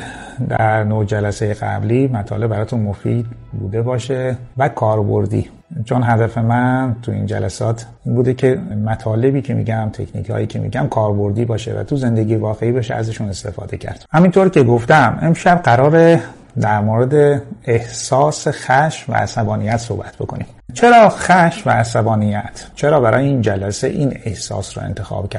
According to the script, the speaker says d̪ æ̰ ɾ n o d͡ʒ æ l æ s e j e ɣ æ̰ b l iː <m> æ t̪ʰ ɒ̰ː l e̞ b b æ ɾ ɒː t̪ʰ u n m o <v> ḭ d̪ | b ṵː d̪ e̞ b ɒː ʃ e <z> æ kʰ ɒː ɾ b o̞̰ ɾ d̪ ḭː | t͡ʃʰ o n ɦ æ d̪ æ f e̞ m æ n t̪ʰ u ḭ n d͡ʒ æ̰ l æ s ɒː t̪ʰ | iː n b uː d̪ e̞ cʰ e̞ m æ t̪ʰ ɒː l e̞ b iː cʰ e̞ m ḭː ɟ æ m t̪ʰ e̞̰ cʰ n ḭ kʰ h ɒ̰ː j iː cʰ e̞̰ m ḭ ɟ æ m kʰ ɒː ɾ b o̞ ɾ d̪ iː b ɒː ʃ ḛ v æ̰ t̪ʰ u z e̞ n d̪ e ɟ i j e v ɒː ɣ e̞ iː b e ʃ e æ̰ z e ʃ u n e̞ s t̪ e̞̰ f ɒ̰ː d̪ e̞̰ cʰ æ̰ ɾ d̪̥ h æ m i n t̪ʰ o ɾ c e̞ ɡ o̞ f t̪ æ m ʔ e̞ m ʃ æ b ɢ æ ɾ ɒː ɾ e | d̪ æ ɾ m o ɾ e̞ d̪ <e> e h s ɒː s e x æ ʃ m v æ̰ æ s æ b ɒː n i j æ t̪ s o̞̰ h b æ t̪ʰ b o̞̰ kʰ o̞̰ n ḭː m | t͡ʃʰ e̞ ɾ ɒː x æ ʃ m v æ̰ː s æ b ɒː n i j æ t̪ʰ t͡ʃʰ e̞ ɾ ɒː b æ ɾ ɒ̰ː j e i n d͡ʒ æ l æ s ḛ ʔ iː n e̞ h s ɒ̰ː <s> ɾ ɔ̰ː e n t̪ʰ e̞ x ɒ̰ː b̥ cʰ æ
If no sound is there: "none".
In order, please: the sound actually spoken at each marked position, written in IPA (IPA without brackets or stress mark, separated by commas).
m, f, v, e, s